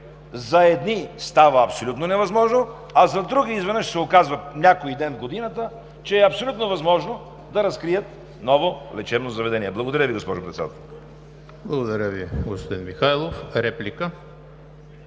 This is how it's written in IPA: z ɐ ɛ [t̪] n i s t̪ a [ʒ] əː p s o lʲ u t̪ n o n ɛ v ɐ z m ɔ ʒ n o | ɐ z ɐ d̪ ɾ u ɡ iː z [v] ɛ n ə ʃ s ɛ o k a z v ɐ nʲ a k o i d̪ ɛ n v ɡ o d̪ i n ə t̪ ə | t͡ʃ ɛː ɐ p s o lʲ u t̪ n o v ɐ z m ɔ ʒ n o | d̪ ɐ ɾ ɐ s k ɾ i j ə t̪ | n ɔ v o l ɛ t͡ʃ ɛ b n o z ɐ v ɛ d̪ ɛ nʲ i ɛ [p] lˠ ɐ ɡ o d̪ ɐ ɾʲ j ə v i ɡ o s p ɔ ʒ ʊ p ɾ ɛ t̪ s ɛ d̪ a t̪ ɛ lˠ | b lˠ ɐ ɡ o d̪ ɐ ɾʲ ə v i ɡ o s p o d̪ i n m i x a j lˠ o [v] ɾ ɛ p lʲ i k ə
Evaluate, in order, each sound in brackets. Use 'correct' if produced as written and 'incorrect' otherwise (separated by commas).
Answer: incorrect, incorrect, correct, incorrect, incorrect